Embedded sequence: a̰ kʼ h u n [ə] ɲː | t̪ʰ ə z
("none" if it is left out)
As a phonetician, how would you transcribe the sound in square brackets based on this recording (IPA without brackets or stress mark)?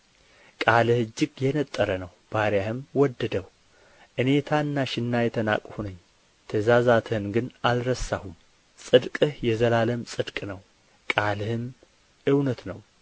ə